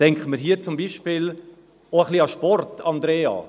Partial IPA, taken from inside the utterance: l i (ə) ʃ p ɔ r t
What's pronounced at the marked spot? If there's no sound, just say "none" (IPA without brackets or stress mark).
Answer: ɑ